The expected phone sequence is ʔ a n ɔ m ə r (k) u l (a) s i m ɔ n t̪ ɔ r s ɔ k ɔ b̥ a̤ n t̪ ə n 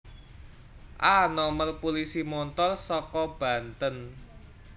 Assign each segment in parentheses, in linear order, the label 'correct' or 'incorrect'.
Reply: incorrect: p, incorrect: i

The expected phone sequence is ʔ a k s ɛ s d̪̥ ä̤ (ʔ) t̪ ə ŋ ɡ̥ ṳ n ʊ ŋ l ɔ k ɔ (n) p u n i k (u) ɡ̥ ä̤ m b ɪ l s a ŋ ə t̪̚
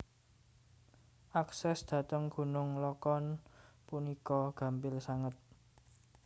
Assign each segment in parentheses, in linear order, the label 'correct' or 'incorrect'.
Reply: incorrect: none, correct, incorrect: ɔ

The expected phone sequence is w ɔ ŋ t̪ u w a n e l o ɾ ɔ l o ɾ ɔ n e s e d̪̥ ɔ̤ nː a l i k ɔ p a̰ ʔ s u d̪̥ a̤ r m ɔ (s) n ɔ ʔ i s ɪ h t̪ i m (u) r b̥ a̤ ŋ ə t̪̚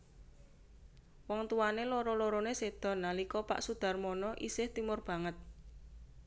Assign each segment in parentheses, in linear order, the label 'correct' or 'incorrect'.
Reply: incorrect: none, incorrect: ʊ

